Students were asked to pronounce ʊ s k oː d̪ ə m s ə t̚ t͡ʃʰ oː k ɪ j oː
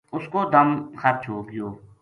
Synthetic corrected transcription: ʊ s k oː d̪ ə m x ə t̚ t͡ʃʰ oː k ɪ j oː